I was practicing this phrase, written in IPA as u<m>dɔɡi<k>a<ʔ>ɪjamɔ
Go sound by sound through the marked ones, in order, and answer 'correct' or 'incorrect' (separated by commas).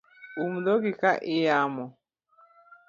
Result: correct, correct, correct